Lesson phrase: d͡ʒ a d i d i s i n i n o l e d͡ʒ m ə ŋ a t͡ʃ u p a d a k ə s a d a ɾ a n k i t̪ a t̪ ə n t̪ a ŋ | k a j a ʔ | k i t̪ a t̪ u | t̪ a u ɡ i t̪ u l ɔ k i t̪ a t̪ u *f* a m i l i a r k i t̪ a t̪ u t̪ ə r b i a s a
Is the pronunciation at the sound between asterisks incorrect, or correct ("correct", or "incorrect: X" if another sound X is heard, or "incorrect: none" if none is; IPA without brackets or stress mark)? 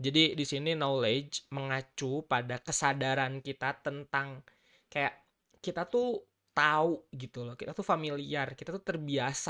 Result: correct